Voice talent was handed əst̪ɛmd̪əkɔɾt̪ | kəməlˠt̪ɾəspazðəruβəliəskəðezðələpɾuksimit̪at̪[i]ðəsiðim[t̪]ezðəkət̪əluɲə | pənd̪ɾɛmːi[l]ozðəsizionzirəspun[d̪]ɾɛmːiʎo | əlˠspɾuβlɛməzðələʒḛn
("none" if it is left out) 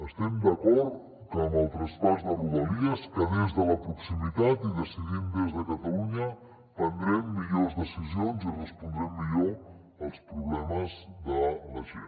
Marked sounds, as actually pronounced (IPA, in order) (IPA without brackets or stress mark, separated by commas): i, d̪, ʎ, d̪